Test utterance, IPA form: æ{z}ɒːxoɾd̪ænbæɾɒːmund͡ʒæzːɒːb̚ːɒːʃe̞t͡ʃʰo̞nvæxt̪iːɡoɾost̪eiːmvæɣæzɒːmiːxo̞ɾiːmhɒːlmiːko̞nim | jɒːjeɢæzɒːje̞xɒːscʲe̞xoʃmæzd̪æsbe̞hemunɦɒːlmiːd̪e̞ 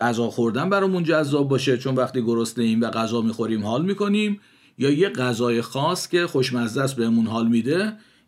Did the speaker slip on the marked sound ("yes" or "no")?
no